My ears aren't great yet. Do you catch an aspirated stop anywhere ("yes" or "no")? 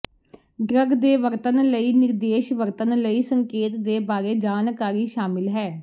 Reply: no